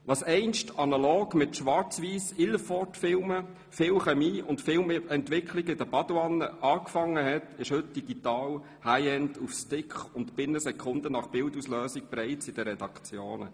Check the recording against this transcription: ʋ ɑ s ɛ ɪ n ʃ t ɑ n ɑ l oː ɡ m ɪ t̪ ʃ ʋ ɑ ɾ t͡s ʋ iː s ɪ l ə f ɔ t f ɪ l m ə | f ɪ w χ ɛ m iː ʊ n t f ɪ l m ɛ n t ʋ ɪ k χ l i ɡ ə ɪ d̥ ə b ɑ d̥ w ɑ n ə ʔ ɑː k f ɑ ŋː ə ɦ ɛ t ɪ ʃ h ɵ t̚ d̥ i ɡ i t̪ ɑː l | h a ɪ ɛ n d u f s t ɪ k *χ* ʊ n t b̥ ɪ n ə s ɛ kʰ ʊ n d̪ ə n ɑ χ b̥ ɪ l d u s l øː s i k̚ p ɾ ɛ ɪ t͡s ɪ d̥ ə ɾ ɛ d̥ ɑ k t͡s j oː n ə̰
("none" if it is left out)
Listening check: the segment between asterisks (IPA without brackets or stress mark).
χ